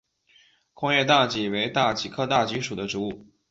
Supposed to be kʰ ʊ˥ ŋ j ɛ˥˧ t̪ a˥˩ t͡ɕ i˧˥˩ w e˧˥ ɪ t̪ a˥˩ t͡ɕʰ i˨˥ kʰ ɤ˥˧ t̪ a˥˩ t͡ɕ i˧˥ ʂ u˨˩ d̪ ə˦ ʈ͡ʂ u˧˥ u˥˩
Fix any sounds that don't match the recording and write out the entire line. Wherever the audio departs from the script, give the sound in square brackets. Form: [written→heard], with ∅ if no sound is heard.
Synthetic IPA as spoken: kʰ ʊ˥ ŋ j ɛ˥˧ t̪ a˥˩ t͡ɕ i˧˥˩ w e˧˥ ɪ t̪ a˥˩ [t͡ɕʰ→t͡ɕ] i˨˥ kʰ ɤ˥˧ t̪ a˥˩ t͡ɕ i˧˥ ʂ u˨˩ d̪ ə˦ ʈ͡ʂ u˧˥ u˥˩